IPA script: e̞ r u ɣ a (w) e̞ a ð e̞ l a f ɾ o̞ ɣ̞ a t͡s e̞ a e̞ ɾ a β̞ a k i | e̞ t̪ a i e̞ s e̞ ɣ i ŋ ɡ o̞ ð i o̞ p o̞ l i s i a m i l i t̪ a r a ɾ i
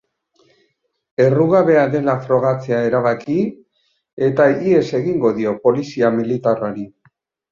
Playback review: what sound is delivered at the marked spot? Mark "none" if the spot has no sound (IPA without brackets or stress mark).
β